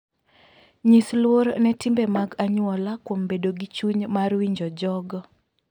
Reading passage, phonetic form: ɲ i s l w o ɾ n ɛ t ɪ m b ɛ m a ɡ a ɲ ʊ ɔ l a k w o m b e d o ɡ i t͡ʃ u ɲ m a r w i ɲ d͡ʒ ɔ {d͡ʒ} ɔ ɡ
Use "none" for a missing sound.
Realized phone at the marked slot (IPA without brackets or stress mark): d͡ʒ